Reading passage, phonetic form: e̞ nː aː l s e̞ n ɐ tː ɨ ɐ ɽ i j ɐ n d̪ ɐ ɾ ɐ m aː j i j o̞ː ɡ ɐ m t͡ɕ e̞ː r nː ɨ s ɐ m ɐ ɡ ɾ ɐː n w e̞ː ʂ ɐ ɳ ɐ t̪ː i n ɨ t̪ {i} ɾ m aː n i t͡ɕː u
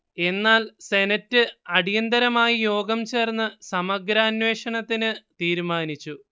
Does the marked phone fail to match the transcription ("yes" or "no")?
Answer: yes